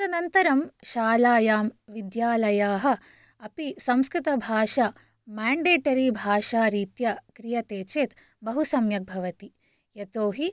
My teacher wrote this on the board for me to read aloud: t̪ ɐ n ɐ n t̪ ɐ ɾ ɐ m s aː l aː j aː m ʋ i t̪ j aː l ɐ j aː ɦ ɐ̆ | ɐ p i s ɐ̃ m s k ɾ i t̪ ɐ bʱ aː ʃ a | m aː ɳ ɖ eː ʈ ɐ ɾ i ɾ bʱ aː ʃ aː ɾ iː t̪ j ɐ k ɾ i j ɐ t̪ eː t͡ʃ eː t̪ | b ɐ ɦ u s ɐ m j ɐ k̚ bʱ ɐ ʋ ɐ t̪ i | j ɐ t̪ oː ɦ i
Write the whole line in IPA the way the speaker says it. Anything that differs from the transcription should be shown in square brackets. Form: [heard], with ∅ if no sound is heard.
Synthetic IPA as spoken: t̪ ɐ n ɐ n t̪ ɐ ɾ ɐ m [ʃ] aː l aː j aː m ʋ i [d̪] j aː l ɐ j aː ɦ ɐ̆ | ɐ p i s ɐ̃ m s k ɾ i t̪ ɐ bʱ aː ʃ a | m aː ɳ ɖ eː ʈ ɐ ɾ i [∅] bʱ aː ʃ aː ɾ iː t̪ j ɐ k ɾ i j ɐ t̪ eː t͡ʃ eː t̪ | b ɐ ɦ u s ɐ m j ɐ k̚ bʱ ɐ ʋ ɐ t̪ i | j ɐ t̪ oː ɦ i

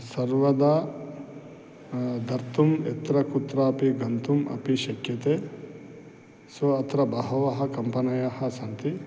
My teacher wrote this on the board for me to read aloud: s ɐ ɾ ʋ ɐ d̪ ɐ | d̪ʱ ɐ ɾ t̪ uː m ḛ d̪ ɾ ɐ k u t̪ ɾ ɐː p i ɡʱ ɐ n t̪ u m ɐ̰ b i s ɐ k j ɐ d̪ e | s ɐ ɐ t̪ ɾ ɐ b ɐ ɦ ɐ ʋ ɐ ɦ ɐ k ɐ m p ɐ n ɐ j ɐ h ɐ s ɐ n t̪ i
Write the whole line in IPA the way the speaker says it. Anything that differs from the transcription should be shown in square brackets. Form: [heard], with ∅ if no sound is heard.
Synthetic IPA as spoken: s ɐ ɾ ʋ ɐ d̪ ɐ | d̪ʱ ɐ ɾ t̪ [u] m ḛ [t̪] ɾ ɐ k u t̪ ɾ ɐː p i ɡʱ ɐ n t̪ u m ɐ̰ [p] i [ʃ] ɐ k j ɐ [t̪] e | s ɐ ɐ t̪ ɾ ɐ b ɐ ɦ ɐ ʋ ɐ ɦ ɐ k ɐ m p ɐ n ɐ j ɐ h ɐ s ɐ n t̪ i

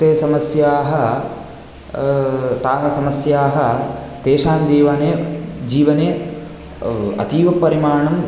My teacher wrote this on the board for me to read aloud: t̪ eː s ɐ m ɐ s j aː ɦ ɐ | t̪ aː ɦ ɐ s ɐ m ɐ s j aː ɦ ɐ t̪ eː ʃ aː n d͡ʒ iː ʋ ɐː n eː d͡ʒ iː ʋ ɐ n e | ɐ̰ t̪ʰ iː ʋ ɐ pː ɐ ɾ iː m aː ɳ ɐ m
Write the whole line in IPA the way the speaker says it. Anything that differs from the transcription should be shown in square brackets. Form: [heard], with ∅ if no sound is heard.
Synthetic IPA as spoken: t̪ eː s ɐ m ɐ s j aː ɦ ɐ | t̪ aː ɦ ɐ s ɐ m ɐ s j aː ɦ ɐ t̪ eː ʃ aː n d͡ʒ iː ʋ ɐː n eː d͡ʒ iː ʋ ɐ n e | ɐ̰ [t̪] iː ʋ ɐ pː ɐ ɾ [i] m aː ɳ ɐ m

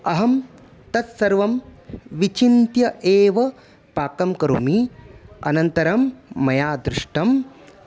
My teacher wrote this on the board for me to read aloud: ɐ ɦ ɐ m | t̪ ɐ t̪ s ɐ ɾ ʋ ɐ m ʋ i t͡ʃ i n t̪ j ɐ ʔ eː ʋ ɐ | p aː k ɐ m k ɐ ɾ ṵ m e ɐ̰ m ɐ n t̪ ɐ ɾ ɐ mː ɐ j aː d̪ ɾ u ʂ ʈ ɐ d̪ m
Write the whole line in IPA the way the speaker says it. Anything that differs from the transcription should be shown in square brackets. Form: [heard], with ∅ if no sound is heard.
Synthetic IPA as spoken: ɐ ɦ ɐ m | t̪ ɐ t̪ s ɐ ɾ ʋ ɐ m ʋ i t͡ʃ i n t̪ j ɐ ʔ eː ʋ ɐ | p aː k ɐ m k ɐ ɾ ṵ m [i] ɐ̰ [n] ɐ n t̪ ɐ ɾ ɐ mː ɐ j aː d̪ ɾ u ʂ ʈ ɐ [∅] m

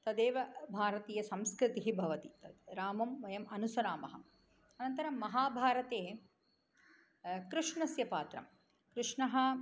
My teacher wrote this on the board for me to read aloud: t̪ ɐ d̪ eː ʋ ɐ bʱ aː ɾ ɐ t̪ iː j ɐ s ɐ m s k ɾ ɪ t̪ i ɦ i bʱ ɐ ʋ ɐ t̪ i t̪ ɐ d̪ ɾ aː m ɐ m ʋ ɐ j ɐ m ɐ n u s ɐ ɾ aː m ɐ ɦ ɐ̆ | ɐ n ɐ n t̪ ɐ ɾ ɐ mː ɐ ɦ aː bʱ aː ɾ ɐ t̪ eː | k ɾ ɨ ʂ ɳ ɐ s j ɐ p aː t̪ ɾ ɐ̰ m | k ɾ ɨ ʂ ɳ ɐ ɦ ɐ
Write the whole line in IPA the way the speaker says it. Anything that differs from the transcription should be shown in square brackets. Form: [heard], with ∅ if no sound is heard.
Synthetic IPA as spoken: t̪ ɐ d̪ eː ʋ ɐ bʱ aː ɾ ɐ t̪ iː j ɐ s ɐ m s k ɾ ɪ t̪ i ɦ i bʱ ɐ ʋ ɐ t̪ i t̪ ɐ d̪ ɾ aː m ɐ m ʋ ɐ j ɐ m ɐ n u s ɐ ɾ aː m ɐ ɦ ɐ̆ | ɐ n ɐ n t̪ ɐ ɾ ɐ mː ɐ ɦ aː bʱ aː ɾ ɐ t̪ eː | k ɾ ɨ ʂ ɳ ɐ s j ɐ p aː t̪ ɾ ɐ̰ m | k ɾ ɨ ʂ ɳ ɐ ɦ ɐ

